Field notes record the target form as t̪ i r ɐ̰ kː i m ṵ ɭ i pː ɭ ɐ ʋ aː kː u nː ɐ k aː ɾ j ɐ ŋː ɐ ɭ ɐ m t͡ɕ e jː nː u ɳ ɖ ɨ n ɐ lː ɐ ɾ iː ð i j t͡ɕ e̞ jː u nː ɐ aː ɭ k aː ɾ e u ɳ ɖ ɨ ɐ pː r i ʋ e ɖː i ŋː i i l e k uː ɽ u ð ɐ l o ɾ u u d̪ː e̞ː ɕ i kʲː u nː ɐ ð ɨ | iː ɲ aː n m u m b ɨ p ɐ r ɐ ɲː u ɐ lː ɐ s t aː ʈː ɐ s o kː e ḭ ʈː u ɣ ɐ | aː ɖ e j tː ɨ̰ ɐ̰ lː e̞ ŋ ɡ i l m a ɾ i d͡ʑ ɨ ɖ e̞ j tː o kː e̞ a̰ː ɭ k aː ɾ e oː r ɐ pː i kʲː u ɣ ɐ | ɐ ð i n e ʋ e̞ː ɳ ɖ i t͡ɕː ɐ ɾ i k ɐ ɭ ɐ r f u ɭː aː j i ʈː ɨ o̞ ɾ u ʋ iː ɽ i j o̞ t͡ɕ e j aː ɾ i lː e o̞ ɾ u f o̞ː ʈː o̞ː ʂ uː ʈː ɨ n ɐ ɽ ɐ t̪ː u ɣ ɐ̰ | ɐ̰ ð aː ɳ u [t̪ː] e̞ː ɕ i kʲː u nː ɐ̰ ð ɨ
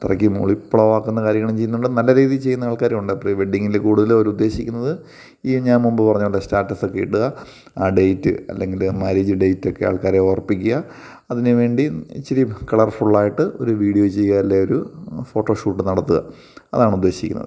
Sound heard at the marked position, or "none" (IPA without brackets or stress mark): d̪ː